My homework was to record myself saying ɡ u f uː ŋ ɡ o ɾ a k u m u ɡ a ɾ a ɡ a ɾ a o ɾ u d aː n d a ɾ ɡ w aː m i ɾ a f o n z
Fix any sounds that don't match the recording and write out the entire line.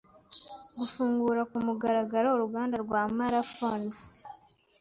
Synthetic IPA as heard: ɡ u f uː ŋ ɡ u ɾ a k u m u ɡ a ɾ a ɡ a ɾ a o ɾ u ɡ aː n d a ɾ ɡ w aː m a ɾ a f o n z